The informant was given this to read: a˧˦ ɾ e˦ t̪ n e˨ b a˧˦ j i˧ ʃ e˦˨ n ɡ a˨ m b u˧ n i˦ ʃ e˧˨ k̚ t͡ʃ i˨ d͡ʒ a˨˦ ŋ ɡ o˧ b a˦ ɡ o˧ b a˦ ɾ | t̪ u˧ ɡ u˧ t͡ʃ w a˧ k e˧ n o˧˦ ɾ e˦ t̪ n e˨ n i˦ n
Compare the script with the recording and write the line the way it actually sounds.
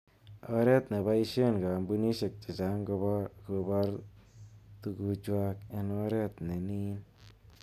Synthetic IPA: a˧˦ ɾ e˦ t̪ n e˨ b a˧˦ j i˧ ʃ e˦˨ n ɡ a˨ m b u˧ n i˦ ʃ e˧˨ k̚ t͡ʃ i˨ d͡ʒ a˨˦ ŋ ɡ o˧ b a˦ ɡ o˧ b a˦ ɾ | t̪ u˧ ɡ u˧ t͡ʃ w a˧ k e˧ n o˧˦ ɾ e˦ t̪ n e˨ n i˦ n